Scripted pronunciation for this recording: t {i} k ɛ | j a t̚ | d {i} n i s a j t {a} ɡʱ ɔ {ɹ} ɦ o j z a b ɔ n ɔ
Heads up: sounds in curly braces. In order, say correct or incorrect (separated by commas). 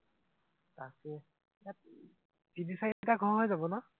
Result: incorrect, correct, correct, correct